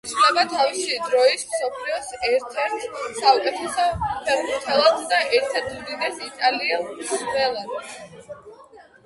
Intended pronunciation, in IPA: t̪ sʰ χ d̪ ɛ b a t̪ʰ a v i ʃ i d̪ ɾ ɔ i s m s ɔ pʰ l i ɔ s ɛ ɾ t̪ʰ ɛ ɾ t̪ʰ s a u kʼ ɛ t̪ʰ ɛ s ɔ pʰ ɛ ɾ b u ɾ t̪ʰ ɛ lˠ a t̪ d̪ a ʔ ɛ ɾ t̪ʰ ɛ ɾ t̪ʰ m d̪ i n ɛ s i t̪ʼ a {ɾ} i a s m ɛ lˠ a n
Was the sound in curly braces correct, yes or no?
no